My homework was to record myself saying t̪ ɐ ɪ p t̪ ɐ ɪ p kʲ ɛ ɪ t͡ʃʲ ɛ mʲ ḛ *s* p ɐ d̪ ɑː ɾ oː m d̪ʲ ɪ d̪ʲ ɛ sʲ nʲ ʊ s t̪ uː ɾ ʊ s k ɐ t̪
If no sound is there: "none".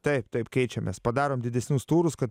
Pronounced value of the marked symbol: s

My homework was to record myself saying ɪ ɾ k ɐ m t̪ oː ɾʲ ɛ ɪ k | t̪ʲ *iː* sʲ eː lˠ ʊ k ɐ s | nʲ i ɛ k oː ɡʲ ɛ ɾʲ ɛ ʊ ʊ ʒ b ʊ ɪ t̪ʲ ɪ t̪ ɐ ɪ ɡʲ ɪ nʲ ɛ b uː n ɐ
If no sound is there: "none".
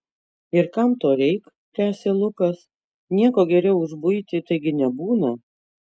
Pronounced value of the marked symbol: æː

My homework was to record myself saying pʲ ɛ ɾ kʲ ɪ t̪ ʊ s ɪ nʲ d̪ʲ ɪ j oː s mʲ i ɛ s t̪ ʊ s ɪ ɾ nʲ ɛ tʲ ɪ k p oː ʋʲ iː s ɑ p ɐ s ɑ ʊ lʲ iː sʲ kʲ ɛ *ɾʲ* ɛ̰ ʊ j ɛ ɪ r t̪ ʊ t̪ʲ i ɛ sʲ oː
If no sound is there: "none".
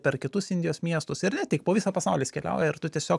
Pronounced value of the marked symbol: lʲ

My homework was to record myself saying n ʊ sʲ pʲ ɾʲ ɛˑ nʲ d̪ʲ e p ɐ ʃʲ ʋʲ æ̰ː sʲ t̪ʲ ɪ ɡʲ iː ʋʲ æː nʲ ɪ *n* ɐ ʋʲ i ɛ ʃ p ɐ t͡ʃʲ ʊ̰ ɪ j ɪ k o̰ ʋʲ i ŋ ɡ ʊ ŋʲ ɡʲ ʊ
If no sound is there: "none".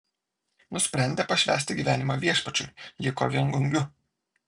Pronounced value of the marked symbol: m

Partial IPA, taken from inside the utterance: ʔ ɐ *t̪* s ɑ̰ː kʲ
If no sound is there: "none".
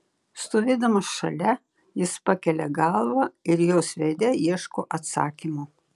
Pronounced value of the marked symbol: t̪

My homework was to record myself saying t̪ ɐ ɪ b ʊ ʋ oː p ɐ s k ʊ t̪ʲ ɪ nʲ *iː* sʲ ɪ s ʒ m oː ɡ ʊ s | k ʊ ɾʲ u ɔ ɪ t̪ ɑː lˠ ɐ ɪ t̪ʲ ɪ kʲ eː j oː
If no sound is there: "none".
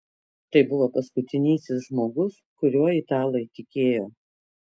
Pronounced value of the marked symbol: iː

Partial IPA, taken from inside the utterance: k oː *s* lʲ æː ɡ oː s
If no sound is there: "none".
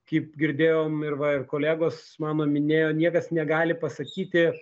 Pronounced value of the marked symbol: none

